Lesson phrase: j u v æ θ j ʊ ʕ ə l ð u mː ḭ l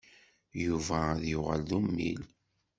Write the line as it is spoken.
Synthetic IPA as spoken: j u v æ ð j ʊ ʁ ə l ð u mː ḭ l